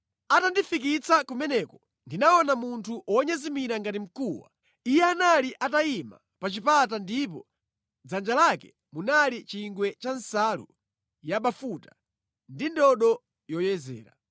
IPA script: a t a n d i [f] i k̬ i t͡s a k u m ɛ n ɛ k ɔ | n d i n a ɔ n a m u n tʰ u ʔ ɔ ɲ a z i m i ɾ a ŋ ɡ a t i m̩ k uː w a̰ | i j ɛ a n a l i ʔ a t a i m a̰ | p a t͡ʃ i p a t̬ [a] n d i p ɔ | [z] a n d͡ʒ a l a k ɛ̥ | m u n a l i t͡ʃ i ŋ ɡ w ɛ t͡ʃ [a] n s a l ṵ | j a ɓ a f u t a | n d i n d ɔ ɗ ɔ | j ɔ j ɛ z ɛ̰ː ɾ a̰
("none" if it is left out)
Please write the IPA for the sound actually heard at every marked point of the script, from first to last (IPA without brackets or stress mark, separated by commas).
f, a, d͡z, a